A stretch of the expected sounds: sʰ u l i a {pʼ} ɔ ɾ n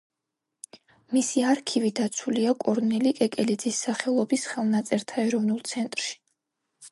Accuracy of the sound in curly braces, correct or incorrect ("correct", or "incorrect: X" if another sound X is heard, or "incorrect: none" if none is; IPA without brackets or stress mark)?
incorrect: kʼ